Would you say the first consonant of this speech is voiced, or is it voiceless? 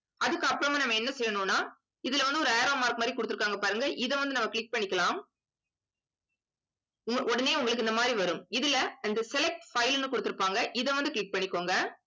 voiced